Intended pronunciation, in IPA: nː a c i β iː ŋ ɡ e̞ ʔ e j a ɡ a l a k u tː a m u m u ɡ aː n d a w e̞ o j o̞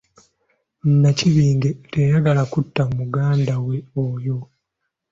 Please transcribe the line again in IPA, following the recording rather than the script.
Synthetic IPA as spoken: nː a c i β iː ŋ ɡ e̞ t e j a ɡ a l a k u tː a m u m u ɡ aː n d a w e̞ o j o̞